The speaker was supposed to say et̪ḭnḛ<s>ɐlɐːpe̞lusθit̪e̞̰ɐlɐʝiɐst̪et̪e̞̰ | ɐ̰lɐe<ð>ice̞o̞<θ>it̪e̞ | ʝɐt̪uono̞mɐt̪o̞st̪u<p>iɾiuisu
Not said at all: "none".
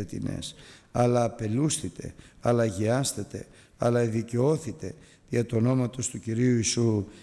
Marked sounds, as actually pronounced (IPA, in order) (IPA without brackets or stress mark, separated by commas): s, ð, θ, c